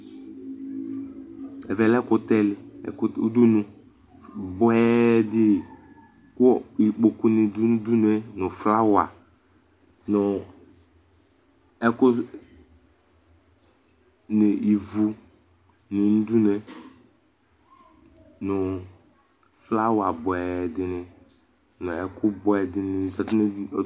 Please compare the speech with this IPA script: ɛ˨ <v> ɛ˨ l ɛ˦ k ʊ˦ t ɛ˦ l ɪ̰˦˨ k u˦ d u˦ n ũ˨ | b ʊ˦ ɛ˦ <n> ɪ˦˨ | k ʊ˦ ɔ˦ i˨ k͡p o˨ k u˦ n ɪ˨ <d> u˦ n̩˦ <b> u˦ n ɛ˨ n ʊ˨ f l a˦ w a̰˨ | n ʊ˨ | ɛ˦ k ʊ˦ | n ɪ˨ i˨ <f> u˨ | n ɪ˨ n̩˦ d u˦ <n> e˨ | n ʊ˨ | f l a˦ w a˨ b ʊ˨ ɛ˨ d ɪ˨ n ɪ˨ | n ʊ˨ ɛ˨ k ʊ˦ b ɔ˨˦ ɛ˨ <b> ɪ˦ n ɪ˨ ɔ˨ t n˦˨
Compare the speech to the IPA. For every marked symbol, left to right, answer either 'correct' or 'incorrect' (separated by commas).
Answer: correct, incorrect, correct, incorrect, incorrect, correct, incorrect